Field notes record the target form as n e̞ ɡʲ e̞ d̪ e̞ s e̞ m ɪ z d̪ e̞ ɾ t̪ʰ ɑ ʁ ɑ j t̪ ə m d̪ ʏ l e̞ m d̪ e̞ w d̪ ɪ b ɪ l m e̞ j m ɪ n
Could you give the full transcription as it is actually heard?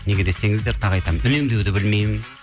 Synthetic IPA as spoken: n e̞ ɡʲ e̞ d̪ e̞ s e̞ ŋ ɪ z d̪ e̞ ɾ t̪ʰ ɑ ʁ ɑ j t̪ ɑ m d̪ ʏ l e̞ m d̪ e̞ w d̪ ɪ b ɪ l m e̞ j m ɪ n